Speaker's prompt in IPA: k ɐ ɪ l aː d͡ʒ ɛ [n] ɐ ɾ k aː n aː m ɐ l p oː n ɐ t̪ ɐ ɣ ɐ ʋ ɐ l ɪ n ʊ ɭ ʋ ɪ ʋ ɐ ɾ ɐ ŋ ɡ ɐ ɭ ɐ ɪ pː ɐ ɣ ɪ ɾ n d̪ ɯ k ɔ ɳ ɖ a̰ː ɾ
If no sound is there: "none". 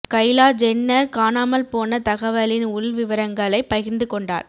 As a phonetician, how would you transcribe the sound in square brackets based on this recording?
nː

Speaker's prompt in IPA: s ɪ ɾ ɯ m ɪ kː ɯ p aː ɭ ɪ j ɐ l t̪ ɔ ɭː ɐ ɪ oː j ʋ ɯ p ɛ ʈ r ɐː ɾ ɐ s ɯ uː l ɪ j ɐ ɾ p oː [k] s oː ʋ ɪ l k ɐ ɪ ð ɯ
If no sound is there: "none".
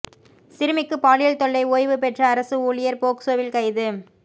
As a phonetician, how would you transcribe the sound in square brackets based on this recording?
k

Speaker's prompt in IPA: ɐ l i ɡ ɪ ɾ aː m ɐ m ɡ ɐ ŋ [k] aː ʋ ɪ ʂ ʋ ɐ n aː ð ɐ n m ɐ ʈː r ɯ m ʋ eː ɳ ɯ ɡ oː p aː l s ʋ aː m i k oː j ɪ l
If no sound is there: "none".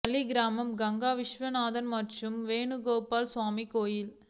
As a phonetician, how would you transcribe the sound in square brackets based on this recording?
ɡ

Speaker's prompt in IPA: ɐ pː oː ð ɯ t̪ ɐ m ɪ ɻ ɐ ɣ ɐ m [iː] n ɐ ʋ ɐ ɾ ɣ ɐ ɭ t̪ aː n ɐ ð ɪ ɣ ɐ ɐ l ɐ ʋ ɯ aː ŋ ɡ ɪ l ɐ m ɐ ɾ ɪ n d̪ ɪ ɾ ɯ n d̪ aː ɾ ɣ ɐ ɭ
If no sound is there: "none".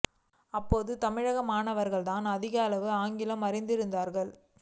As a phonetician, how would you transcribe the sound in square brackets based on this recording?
aː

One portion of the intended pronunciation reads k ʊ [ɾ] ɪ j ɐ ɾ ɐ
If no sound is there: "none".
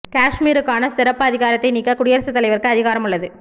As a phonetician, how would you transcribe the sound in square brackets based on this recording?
ɽ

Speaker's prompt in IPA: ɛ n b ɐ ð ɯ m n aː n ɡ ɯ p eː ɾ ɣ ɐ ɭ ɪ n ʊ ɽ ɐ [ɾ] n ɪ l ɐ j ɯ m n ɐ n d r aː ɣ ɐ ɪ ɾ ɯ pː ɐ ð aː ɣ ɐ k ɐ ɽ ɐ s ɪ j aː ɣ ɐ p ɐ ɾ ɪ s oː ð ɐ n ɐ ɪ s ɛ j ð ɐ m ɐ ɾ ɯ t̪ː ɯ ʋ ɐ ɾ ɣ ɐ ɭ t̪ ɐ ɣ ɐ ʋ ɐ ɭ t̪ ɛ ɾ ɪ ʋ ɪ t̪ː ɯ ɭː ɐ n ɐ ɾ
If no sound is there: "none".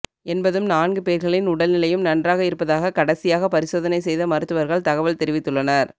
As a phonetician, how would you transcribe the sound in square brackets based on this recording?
l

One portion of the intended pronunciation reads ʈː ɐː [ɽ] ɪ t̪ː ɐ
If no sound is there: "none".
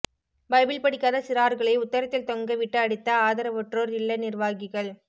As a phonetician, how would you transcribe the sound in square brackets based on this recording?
ɽ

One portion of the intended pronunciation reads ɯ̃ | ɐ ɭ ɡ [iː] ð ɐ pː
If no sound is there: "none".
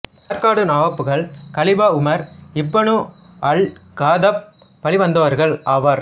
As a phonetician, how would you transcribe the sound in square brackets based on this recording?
aː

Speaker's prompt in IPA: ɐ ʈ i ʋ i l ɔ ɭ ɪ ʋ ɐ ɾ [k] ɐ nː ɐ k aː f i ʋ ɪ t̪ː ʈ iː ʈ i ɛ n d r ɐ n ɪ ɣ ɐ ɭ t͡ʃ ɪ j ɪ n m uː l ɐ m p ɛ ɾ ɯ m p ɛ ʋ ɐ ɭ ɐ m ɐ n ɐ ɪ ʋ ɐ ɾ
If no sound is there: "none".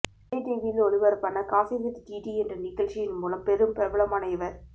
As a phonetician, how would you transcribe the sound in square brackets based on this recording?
p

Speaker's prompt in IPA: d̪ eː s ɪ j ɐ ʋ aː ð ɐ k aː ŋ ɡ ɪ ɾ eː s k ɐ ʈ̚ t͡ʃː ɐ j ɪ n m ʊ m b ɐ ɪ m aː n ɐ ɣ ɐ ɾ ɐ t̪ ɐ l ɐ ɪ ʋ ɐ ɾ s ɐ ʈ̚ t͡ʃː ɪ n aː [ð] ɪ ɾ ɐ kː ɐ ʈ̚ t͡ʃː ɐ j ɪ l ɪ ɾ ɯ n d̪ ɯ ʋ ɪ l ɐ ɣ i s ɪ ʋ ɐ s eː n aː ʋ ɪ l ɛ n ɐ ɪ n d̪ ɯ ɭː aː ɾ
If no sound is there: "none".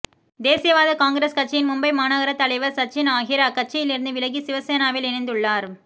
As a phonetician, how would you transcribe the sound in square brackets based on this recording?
ɣ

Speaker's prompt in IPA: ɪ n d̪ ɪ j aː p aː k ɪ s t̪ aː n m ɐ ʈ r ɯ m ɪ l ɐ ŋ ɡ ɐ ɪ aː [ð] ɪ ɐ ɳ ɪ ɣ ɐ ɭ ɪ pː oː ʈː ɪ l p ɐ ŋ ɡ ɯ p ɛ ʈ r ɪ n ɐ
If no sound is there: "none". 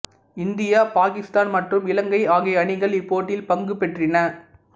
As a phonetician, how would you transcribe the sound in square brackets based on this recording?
ɣ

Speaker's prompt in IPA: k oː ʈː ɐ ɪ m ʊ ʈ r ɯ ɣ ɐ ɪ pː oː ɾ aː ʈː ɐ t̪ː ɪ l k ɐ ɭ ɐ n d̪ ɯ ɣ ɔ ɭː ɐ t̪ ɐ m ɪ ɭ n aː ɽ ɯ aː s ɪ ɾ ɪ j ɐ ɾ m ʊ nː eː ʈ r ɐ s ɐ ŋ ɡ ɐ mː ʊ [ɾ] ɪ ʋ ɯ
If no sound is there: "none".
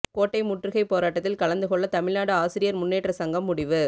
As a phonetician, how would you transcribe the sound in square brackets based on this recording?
ɽ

